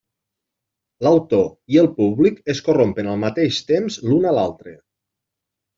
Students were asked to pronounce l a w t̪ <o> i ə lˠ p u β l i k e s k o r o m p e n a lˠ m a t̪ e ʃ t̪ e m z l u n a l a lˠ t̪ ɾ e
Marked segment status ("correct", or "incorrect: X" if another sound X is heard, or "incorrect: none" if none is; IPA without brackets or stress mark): correct